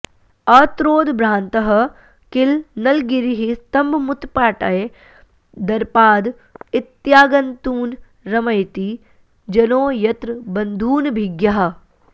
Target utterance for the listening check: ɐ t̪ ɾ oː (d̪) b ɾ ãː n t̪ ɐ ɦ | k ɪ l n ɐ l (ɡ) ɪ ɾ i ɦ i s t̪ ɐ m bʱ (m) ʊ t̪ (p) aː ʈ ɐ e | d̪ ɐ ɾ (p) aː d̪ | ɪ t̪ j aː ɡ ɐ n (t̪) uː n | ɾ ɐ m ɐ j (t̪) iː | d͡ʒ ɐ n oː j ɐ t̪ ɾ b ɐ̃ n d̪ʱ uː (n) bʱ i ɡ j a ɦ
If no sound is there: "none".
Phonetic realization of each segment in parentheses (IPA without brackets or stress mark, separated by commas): d̪, ɡ, m, p, p, t̪, t̪, n